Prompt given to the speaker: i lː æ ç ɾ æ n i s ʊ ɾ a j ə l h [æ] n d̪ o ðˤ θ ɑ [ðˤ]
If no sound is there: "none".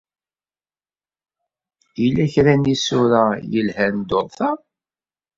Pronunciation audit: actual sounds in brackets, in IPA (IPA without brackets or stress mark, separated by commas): æ, none